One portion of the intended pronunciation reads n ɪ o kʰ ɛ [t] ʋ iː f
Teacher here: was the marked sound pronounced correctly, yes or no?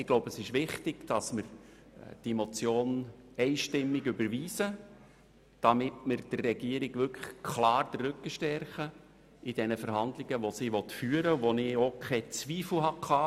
no